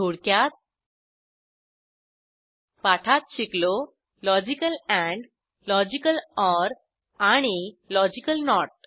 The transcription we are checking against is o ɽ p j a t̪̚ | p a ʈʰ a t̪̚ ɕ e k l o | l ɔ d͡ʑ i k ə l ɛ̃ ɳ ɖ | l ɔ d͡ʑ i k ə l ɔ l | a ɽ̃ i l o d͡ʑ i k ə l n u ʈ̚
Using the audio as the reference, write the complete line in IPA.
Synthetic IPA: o ɽ k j a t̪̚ | p a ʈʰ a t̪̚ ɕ i k l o | l ɔ d͡ʑ i k ə l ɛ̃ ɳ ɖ | l ɔ d͡ʑ i k ə l ɔ ɾ | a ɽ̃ i l ɔ d͡ʑ i k ə l n ɔ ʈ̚